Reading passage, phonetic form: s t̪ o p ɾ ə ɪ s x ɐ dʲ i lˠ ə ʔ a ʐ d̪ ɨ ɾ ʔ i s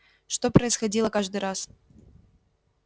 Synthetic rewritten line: ʂ t̪ o p ɾ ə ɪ s x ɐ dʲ i lˠ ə k a ʐ d̪ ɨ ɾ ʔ a s